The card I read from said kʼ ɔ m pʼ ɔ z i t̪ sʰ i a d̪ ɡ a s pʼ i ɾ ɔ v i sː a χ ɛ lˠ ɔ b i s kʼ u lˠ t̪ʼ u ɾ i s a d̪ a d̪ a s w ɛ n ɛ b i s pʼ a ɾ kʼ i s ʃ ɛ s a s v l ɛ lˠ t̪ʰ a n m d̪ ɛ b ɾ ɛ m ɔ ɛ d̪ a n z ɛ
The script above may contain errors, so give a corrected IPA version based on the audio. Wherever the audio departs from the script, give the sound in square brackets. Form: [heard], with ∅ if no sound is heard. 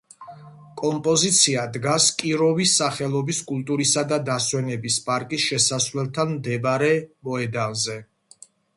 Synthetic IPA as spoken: kʼ ɔ m pʼ ɔ z i t̪ sʰ i a d̪ ɡ a s [kʼ] i ɾ ɔ v i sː a χ ɛ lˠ ɔ b i s kʼ u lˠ t̪ʼ u ɾ i s a d̪ a d̪ a s w ɛ n ɛ b i s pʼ a ɾ kʼ i s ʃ ɛ s a s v l ɛ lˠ t̪ʰ a n m d̪ ɛ b ɾ ɛ m ɔ ɛ d̪ a n z ɛ

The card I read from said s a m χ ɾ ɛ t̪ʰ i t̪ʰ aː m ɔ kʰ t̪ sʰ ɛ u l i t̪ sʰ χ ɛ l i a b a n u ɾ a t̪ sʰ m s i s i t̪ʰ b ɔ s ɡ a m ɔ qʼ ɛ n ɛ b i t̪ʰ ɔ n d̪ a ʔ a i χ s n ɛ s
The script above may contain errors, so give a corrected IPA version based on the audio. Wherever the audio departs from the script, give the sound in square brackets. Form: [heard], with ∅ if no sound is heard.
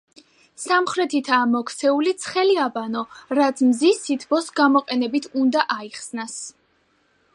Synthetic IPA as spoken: s a m χ ɾ ɛ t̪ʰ i t̪ʰ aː m ɔ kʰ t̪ sʰ ɛ u l i t̪ sʰ χ ɛ l i a b a n [ɔ] ɾ a t̪ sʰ m [z] i s i t̪ʰ b ɔ s ɡ a m ɔ qʼ ɛ n ɛ b i t̪ʰ [u] n d̪ a ʔ a i χ s n [a] s

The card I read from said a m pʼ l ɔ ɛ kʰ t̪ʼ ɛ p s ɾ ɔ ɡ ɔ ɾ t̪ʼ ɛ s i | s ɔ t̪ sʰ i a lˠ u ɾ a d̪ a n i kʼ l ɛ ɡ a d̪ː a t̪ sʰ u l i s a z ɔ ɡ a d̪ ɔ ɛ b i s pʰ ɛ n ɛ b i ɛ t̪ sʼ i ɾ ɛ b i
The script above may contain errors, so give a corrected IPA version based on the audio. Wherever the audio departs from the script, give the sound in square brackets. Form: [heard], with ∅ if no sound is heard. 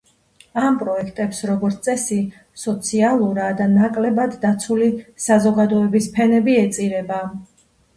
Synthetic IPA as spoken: a m pʼ [ɾ] ɔ ɛ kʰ t̪ʼ ɛ p s ɾ ɔ ɡ ɔ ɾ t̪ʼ ɛ s i | s ɔ t̪ sʰ i a lˠ u ɾ a d̪ a n [a] kʼ l ɛ [b] a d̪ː a t̪ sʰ u l i s a z ɔ ɡ a d̪ ɔ ɛ b i s pʰ ɛ n ɛ b i ɛ t̪ sʼ i ɾ ɛ b [a]

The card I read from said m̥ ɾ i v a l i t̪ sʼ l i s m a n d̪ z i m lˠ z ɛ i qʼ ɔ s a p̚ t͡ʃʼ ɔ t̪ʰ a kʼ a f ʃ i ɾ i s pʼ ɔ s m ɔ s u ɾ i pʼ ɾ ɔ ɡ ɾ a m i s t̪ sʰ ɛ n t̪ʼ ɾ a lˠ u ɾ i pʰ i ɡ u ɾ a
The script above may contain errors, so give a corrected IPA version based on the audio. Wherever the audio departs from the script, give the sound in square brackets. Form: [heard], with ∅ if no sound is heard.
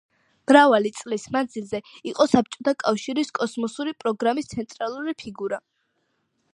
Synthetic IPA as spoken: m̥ ɾ [a] v a l i t̪ sʼ l i s m a n d̪ z i [∅] lˠ z ɛ i qʼ ɔ s a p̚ t͡ʃʼ ɔ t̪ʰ a kʼ a f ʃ i ɾ i s [kʼ] ɔ s m ɔ s u ɾ i pʼ ɾ ɔ ɡ ɾ a m i s t̪ sʰ ɛ n t̪ʼ ɾ a lˠ u ɾ i pʰ i ɡ u ɾ a

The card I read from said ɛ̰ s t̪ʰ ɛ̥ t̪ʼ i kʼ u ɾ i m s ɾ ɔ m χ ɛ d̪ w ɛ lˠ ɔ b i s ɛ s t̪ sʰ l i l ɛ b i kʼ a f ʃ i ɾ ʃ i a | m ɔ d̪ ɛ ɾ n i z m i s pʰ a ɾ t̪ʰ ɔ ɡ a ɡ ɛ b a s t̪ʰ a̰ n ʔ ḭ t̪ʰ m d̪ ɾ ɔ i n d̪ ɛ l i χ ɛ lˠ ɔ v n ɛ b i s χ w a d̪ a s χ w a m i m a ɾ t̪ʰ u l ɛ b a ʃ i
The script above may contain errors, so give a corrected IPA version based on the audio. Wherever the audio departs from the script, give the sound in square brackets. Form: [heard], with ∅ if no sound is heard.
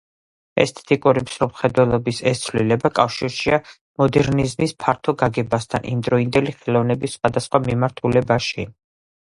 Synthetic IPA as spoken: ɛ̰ s t̪ʰ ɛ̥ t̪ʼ i kʼ u ɾ i m s ɾ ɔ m χ ɛ d̪ w ɛ lˠ ɔ b i s ɛ s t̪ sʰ l i l ɛ b [a] kʼ a f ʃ i ɾ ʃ i a | m ɔ d̪ ɛ ɾ n i z m i s pʰ a ɾ t̪ʰ ɔ ɡ a ɡ ɛ b a s t̪ʰ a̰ n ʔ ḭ [∅] m d̪ ɾ ɔ i n d̪ ɛ l i χ ɛ lˠ ɔ v n ɛ b i s χ w a d̪ a s χ w a m i m a ɾ t̪ʰ u l ɛ b a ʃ i

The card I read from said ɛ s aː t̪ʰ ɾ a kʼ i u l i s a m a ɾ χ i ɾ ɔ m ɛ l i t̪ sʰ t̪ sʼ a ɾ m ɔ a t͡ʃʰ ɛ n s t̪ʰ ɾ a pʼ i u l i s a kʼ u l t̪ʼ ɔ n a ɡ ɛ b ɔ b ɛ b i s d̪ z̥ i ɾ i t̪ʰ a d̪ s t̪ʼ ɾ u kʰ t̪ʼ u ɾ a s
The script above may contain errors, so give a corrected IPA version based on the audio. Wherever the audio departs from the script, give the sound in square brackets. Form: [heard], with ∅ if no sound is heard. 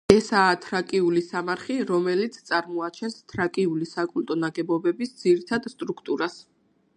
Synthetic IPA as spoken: ɛ s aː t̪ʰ ɾ a kʼ i u l i s a m a ɾ χ i ɾ ɔ m ɛ l i t̪ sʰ t̪ sʼ a ɾ m ɔ a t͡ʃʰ ɛ n s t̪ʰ ɾ a [kʼ] i u l i s a kʼ u l t̪ʼ ɔ n a ɡ ɛ b ɔ b ɛ b i s d̪ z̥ i ɾ i t̪ʰ a d̪ s t̪ʼ ɾ u kʰ t̪ʼ u ɾ a s

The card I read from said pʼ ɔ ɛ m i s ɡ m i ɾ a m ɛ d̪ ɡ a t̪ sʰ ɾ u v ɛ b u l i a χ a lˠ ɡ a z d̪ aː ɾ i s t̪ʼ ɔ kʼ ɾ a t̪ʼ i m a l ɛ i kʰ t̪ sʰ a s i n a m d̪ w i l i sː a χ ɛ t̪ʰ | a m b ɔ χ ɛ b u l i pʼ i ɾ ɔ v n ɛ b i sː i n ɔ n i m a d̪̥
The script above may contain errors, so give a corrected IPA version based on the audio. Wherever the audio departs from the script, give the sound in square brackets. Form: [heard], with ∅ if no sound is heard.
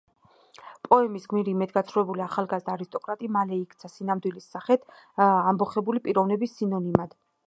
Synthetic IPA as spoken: pʼ ɔ ɛ m i s ɡ m i ɾ [i] m ɛ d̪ ɡ a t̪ sʰ ɾ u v ɛ b u l i a χ a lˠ ɡ a z d̪ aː ɾ i s t̪ʼ ɔ kʼ ɾ a t̪ʼ i m a l ɛ i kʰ t̪ sʰ a s i n a m d̪ w i l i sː a χ ɛ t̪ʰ | a m b ɔ χ ɛ b u l i pʼ i ɾ ɔ v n ɛ b i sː i n ɔ n i m a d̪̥

